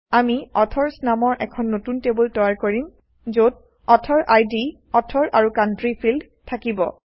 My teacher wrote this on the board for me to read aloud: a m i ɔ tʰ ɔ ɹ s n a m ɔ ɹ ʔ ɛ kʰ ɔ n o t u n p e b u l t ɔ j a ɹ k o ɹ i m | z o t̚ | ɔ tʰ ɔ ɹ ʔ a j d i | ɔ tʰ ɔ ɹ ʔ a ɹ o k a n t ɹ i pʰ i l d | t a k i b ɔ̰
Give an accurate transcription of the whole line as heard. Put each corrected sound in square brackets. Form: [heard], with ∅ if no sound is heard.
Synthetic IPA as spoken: a m i ɔ tʰ ɔ ɹ s n a m ɔ ɹ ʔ ɛ kʰ ɔ [nː] o t u n [t] e b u l t ɔ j a ɹ k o ɹ i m | z o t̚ | ɔ tʰ ɔ ɹ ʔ a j d i | ɔ tʰ ɔ ɹ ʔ a ɹ [u] k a n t ɹ i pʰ i l d | [tʰ] a k i b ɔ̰